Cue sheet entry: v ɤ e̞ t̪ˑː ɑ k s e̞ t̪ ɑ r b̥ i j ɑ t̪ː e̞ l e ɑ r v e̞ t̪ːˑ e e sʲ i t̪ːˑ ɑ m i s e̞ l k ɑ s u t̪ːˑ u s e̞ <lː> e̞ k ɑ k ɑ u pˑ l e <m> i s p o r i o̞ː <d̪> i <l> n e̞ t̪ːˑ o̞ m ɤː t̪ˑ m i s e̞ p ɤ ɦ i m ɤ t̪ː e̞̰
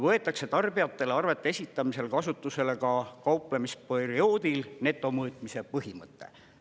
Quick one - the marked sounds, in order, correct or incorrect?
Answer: incorrect, correct, correct, correct

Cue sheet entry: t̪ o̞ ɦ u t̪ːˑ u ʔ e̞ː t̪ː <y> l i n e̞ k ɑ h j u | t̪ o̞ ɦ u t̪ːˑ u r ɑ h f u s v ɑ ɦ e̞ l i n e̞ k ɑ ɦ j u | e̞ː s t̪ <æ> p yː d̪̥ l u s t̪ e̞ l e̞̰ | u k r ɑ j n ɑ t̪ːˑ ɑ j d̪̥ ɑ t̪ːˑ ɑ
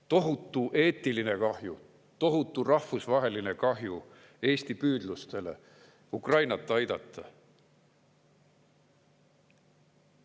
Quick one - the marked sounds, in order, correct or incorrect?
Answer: incorrect, incorrect

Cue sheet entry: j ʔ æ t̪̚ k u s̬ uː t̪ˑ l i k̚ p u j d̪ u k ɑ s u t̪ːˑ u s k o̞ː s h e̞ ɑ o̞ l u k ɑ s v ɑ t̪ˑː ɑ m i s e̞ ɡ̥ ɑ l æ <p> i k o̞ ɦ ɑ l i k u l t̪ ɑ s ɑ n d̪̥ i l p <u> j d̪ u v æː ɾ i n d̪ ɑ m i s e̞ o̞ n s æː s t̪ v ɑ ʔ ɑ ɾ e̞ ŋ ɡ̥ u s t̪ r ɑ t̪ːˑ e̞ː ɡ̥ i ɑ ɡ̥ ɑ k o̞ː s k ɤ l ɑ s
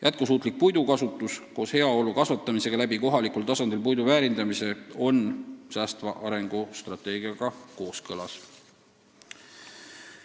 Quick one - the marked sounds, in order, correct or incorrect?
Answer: incorrect, correct

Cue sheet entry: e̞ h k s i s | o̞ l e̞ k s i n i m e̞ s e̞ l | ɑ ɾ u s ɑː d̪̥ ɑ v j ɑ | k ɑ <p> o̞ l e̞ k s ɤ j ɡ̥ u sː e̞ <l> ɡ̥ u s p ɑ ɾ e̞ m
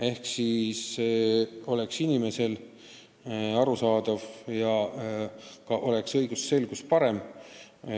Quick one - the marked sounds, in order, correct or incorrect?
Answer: incorrect, correct

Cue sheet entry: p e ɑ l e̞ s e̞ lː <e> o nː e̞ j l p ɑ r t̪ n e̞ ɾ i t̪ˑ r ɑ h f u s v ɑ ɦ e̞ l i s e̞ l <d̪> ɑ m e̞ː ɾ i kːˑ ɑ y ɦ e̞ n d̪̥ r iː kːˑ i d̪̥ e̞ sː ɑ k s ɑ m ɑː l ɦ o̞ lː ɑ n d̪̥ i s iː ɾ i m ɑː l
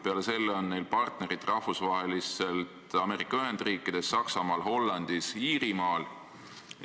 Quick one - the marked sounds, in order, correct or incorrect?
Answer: correct, incorrect

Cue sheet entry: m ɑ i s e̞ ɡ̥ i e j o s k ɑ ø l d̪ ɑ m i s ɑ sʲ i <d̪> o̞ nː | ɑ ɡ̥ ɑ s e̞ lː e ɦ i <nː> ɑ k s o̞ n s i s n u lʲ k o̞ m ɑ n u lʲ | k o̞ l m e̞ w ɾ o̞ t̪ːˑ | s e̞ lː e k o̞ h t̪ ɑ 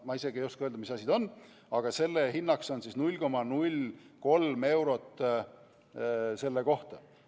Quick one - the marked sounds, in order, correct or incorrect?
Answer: correct, correct

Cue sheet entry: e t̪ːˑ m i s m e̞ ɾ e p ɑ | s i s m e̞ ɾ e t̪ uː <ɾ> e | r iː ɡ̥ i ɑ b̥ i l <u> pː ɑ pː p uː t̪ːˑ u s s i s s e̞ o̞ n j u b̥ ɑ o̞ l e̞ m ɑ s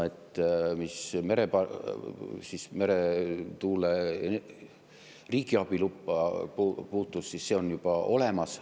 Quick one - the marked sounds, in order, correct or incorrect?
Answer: incorrect, correct

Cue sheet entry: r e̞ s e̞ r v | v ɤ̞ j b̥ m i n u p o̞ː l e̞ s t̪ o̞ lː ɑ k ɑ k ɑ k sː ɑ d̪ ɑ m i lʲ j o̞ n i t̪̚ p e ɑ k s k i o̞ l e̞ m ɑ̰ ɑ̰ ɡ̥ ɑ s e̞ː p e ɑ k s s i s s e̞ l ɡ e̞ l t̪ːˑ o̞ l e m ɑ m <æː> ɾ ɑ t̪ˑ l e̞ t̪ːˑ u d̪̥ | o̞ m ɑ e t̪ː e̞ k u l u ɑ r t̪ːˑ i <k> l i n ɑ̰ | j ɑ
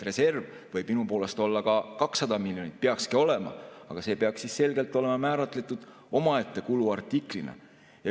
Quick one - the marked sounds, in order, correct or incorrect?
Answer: correct, correct

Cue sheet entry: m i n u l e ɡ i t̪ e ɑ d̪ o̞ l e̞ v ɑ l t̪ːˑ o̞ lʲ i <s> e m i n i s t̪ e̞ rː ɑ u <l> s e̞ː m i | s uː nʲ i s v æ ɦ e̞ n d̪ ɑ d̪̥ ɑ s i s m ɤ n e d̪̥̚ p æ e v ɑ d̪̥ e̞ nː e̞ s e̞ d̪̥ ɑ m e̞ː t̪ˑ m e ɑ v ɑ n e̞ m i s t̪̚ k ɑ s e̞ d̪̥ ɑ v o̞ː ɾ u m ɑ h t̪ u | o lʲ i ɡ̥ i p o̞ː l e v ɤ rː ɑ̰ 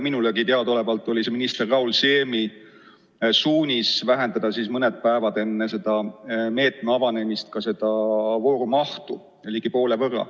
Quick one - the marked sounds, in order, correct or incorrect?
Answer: correct, correct

